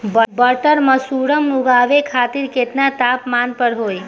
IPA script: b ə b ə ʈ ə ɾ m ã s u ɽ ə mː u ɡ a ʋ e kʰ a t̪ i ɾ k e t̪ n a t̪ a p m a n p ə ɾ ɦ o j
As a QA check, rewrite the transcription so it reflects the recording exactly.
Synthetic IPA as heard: b ə b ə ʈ ə ɾ m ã s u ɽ ə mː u ɡ a ʋ e kʰ a t̪ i ɾ k e t̪ n a t̪ a p m a n p ə ɾ ɦ o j